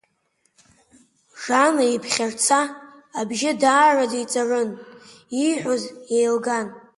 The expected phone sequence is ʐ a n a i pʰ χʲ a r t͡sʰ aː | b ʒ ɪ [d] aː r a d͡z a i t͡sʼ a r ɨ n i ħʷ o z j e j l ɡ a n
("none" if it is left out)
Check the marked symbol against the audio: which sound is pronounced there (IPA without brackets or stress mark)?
d